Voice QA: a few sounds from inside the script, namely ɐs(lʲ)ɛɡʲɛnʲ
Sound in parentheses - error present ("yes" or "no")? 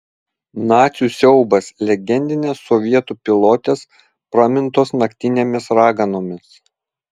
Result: no